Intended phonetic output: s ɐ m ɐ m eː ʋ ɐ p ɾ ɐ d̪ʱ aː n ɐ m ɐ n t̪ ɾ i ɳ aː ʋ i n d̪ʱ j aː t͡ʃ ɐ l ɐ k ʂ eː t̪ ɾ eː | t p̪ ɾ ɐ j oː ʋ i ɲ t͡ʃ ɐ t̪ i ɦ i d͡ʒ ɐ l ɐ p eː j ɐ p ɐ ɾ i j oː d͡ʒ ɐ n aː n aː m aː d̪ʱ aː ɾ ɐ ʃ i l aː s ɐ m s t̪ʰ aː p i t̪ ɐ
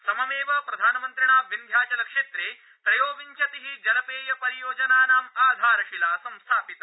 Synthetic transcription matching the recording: s ɐ m ɐ m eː ʋ ɐ p ɾ ɐ d̪ʱ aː n ɐ m ɐ n t̪ ɾ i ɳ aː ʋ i n d̪ʱ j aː t͡ʃ ɐ l ɐ k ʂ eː t̪ ɾ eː | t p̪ ɾ ɐ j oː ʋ i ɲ t͡ʃ ɐ t̪ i ɦ i d͡ʒ ɐ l ɐ p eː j ɐ p ɐ ɾ i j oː d͡ʒ ɐ n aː n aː m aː d̪ʱ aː ɾ ɐ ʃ i l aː s ɐ m s t̪ʰ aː p i t̪ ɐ

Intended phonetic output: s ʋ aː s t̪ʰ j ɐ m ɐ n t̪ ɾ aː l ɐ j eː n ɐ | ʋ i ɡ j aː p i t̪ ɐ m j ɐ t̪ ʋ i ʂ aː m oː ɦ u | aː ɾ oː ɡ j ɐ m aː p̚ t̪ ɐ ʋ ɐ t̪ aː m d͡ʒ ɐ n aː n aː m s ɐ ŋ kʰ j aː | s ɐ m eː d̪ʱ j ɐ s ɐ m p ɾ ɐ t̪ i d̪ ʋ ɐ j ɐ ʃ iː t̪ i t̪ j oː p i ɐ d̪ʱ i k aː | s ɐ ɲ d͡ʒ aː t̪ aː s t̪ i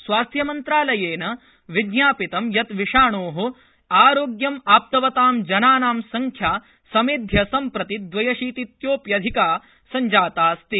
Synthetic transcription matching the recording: s ʋ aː s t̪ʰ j ɐ m ɐ n t̪ ɾ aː l ɐ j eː n ɐ | ʋ i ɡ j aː p i t̪ ɐ m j ɐ t̪ ʋ i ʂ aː ɳ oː ɦ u | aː ɾ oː ɡ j ɐ m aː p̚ t̪ ɐ ʋ ɐ t̪ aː m d͡ʒ ɐ n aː n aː m s ɐ ŋ kʰ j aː | s ɐ m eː d̪ʱ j ɐ s ɐ m p ɾ ɐ t̪ i d̪ ʋ ɐ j ɐ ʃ iː t̪ i t̪ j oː p j ɐ d̪ʱ i k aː | s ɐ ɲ d͡ʒ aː t̪ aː s t̪ i

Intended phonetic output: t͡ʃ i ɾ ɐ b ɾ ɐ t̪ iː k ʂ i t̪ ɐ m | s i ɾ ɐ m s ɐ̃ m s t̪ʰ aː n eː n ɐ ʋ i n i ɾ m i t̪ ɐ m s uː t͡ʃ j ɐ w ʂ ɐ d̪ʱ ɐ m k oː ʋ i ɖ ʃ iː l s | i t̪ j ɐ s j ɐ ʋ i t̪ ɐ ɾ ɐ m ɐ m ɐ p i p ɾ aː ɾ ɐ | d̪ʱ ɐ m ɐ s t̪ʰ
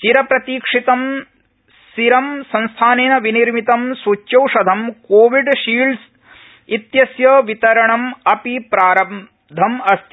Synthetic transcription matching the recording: t͡ʃ i ɾ ɐ p ɾ ɐ t̪ iː k ʂ i t̪ ɐ m | s i ɾ ɐ m s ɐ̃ n s t̪ʰ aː n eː n ɐ ʋ i n i ɾ m i t̪ ɐ m s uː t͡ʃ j ɐ w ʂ ɐ d̪ʱ ɐ m k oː ʋ i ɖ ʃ iː l s | i t̪ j ɐ s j ɐ ʋ i t̪ ɐ ɾ ɐ ɳ ɐ m ɐ p i p ɾ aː ɾ ɐ | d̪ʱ ɐ m ɐ s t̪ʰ

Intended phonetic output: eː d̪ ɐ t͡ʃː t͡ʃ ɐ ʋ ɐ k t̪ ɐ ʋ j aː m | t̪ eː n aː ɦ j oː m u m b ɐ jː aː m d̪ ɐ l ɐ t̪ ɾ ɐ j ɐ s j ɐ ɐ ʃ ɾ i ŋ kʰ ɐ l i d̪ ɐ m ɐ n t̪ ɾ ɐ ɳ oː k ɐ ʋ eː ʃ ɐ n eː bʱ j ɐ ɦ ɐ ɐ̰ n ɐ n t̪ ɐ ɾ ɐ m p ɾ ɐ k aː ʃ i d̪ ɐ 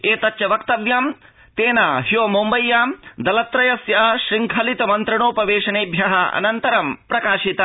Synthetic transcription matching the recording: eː t̪ ɐ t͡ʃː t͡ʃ ɐ ʋ ɐ k t̪ ɐ ʋ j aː m | t̪ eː n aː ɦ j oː m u m b ɐ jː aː m d̪ ɐ l ɐ t̪ ɾ ɐ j ɐ s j ɐ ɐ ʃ ɾ i ŋ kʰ ɐ l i t̪ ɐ m ɐ n t̪ ɾ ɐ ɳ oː p ɐ ʋ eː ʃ ɐ n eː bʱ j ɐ ɦ ɐ ɐ̰ n ɐ n t̪ ɐ ɾ ɐ m p ɾ ɐ k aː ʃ i t̪ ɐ

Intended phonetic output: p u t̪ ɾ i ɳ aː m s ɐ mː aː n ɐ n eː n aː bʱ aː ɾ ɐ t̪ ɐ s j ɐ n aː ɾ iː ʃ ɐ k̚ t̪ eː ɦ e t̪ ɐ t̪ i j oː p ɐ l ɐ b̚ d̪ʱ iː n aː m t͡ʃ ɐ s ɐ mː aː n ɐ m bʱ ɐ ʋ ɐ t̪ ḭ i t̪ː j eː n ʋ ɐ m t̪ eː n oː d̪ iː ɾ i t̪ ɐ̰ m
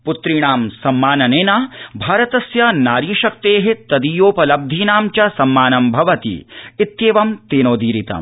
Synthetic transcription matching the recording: p u t̪ ɾ i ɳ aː m s ɐ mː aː n ɐ n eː n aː bʱ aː ɾ ɐ t̪ ɐ s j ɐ n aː ɾ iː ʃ ɐ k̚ t̪ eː ɦ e t̪ ɐ d̪ i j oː p ɐ l ɐ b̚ d̪ʱ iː n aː m t͡ʃ ɐ s ɐ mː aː n ɐ m bʱ ɐ ʋ ɐ t̪ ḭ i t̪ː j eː ʋ ɐ m t̪ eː n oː d̪ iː ɾ i t̪ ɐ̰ m

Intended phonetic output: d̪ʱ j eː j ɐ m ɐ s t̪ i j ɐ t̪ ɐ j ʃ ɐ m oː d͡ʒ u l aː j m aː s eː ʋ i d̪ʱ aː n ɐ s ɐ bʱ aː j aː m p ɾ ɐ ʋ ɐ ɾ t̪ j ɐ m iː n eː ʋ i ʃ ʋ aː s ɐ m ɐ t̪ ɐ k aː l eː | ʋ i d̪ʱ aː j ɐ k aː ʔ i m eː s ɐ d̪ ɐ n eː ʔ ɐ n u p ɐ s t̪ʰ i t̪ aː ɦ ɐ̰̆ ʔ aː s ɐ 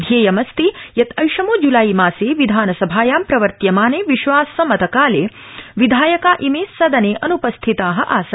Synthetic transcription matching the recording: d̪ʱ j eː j ɐ m ɐ s t̪ i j ɐ t̪ ɐ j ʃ ɐ m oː d͡ʒ u l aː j m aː s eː ʋ i d̪ʱ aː n ɐ s ɐ bʱ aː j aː m p ɾ ɐ ʋ ɐ ɾ t̪ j ɐ m aː n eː ʋ i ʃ ʋ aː s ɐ m ɐ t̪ ɐ k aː l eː | ʋ i d̪ʱ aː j ɐ k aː ʔ i m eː s ɐ d̪ ɐ n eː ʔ ɐ n u p ɐ s t̪ʰ i t̪ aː ɦ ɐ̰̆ ʔ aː s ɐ

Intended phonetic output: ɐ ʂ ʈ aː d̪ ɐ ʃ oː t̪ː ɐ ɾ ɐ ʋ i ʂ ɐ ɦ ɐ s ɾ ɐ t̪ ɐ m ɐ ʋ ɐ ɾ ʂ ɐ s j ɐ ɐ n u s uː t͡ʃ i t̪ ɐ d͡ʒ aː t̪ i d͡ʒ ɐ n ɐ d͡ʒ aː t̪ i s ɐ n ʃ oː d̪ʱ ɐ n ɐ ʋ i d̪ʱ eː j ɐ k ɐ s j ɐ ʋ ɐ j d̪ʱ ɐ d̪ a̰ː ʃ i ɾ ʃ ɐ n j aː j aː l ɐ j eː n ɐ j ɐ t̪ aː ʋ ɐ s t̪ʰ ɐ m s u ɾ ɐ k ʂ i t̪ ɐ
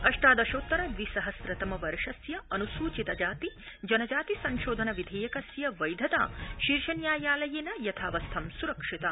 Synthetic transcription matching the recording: ɐ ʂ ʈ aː d̪ ɐ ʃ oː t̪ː ɐ ɾ ɐ ʋ i s ɐ ɦ ɐ s ɾ ɐ t̪ ɐ m ɐ ʋ ɐ ɾ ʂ ɐ s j ɐ ɐ n u s uː t͡ʃ i t̪ ɐ d͡ʒ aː t̪ i d͡ʒ ɐ n ɐ d͡ʒ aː t̪ i s ɐ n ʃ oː d̪ʱ ɐ n ɐ ʋ i d̪ʱ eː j ɐ k ɐ s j ɐ ʋ ɐ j d̪ʱ ɐ t̪ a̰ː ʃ i ɾ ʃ ɐ n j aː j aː l ɐ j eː n ɐ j ɐ t̪ʰ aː ʋ ɐ s t̪ʰ ɐ m s u ɾ ɐ k ʂ i t̪ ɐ

